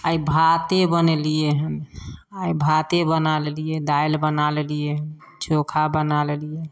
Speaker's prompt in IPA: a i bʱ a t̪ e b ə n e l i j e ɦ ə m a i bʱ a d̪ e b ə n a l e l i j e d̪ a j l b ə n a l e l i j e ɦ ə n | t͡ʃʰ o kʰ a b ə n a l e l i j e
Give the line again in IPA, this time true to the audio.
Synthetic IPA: a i bʱ a t̪ e b ə n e l i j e ɦ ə n a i bʱ a t̪ e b ə n a l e l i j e d̪ a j l b ə n a l e l i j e ɦ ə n | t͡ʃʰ o kʰ a b ə n a l e l i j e